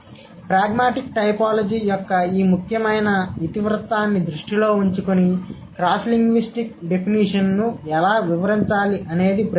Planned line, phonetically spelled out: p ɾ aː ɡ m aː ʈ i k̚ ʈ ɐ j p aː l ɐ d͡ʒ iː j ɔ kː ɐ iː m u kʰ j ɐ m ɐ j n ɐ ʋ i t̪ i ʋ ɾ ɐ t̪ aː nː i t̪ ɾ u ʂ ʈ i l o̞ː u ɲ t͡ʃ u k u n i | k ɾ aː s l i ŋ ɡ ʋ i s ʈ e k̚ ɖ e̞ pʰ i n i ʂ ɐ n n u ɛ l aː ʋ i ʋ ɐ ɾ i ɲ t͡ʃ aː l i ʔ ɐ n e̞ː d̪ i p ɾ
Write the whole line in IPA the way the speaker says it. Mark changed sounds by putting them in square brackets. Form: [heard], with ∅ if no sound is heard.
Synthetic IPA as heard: p ɾ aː ɡ m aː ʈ i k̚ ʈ ɐ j p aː l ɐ d͡ʒ iː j ɔ kː ɐ iː m u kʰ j ɐ m ɐ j n ɐ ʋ i t̪ i ʋ ɾ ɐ t̪ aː nː i [d̪] ɾ u ʂ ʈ i l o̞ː u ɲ t͡ʃ u k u n i | k ɾ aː s l i ŋ ɡ ʋ i s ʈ [i] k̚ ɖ e̞ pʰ i n i ʂ ɐ n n u ɛ l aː ʋ i ʋ ɐ ɾ i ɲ t͡ʃ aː l i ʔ ɐ n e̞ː d̪ i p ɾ